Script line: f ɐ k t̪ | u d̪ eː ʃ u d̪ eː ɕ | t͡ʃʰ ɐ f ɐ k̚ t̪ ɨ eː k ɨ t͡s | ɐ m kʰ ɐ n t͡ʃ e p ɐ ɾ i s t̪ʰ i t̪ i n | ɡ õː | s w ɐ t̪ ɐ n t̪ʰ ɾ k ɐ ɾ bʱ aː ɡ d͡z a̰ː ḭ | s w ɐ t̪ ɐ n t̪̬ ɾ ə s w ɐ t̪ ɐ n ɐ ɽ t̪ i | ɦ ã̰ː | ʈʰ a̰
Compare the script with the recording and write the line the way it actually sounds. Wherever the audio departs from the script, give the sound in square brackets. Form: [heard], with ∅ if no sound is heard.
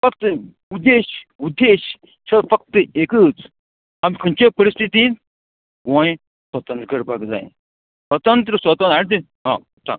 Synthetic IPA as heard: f ɐ k t̪ | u d̪ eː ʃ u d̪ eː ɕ | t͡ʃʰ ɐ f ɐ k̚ t̪ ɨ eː k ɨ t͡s | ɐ m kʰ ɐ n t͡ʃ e p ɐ ɾ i s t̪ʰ i t̪ i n | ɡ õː | s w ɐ t̪ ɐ n [t̪] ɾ k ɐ ɾ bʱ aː ɡ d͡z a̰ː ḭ | s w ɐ t̪ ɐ n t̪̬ ɾ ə s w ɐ t̪ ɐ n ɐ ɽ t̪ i | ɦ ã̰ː | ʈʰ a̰